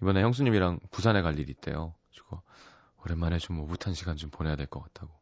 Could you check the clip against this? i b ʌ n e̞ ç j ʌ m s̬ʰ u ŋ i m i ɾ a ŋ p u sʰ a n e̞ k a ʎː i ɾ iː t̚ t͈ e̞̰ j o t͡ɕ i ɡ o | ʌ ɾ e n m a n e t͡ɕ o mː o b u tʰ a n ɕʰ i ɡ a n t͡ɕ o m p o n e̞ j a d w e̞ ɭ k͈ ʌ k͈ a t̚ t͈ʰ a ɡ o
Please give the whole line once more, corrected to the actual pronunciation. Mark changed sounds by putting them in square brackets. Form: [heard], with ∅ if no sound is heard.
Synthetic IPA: i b ʌ n e̞ ç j ʌ [ŋ] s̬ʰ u [ɲ] i m i ɾ a ŋ p u sʰ a n e̞ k a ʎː i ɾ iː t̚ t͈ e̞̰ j o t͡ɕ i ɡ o | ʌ ɾ e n m a n e t͡ɕ o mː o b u tʰ a n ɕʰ i ɡ a n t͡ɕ o m p o n e̞ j a d w e̞ ɭ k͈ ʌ k͈ a t̚ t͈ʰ a ɡ o